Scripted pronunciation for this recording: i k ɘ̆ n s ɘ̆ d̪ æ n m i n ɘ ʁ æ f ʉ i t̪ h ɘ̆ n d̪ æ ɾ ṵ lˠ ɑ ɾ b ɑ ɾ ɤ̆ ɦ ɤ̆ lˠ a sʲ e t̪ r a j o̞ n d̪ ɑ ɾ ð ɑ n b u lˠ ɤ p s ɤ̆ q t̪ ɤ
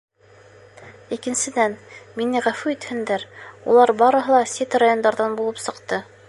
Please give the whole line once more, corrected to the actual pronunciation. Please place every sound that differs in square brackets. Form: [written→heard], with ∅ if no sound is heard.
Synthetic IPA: i k ɘ̆ n s ɘ̆ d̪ æ n m i n ɘ ʁ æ f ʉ i t̪ h ɘ̆ n d̪ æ ɾ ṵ lˠ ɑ ɾ b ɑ ɾ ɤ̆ ɦ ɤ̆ lˠ [a→ɑ] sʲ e t̪ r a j o̞ n d̪ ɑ ɾ ð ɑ n b u lˠ ɤ p s ɤ̆ q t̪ ɤ